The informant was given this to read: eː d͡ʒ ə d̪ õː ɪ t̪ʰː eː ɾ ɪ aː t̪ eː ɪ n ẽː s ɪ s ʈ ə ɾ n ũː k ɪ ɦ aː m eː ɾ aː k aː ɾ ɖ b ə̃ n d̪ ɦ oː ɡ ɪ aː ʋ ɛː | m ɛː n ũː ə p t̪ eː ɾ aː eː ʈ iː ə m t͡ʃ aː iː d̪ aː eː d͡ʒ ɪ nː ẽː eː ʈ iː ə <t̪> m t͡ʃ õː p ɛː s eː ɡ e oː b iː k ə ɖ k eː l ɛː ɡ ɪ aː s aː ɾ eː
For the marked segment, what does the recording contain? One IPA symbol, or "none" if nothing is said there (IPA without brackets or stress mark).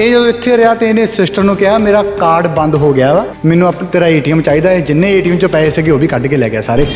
none